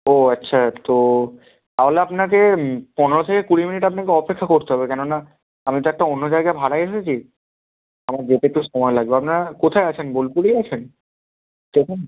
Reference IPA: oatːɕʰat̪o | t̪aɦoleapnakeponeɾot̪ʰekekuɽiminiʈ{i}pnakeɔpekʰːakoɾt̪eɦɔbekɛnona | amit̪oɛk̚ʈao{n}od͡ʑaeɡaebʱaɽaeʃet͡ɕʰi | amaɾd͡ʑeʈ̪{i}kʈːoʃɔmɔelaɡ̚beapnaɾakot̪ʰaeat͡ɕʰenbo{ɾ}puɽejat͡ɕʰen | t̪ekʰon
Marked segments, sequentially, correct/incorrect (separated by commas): incorrect, incorrect, incorrect, incorrect